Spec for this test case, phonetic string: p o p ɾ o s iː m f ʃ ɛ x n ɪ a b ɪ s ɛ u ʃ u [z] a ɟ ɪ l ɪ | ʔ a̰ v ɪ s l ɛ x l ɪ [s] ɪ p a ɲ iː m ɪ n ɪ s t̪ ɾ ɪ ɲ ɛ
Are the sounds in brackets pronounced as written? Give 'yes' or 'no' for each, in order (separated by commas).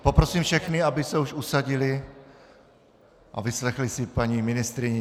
no, yes